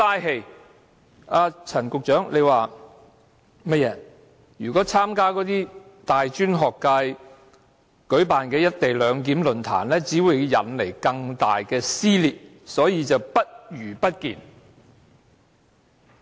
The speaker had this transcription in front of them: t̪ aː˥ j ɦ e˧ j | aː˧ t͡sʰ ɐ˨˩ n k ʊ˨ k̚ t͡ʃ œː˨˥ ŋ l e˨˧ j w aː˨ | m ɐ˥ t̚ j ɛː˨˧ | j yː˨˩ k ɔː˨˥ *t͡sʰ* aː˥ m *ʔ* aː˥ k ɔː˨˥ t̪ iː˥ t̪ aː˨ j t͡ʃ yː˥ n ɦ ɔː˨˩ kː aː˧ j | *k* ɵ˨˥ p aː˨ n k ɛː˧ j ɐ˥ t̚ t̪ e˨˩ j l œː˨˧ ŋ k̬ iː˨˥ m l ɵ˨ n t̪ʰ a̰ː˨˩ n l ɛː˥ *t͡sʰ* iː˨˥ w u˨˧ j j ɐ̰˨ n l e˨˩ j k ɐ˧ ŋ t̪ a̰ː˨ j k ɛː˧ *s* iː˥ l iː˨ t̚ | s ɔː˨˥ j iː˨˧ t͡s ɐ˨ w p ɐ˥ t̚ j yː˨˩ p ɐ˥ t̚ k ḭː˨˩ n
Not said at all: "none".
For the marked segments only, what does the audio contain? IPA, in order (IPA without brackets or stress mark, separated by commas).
t͡sʰ, k, k, t͡s, s